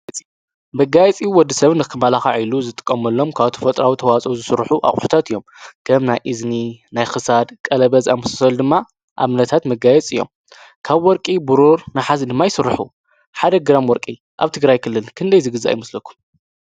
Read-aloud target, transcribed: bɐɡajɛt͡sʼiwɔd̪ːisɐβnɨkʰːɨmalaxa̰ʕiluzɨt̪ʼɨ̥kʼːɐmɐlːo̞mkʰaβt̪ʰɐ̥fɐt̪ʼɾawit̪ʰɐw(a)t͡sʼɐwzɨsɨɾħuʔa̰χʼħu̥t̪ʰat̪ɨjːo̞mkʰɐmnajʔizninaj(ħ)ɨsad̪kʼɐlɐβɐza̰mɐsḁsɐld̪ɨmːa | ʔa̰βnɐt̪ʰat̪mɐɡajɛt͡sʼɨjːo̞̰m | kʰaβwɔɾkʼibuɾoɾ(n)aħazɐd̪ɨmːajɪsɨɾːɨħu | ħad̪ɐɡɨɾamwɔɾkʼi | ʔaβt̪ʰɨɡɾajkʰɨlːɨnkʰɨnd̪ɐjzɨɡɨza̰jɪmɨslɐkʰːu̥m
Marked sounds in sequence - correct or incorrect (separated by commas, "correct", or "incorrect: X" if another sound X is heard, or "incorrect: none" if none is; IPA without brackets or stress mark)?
correct, incorrect: x, correct